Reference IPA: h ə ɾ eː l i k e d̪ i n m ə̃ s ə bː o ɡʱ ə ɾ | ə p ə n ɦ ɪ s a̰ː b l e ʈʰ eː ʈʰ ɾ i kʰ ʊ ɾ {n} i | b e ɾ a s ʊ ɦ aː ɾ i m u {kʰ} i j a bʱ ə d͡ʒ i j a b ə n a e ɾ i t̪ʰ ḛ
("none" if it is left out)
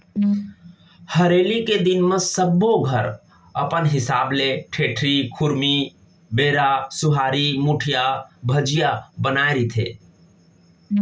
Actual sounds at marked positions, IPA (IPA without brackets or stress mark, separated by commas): m, ʈʰ